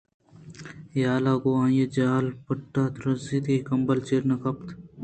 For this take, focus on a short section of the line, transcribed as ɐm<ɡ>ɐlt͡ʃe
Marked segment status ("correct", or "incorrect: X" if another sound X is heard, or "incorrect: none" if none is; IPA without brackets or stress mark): incorrect: b